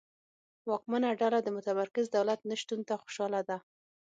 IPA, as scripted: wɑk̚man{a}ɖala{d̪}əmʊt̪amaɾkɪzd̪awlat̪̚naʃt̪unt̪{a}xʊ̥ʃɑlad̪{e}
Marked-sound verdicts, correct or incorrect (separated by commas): correct, correct, correct, incorrect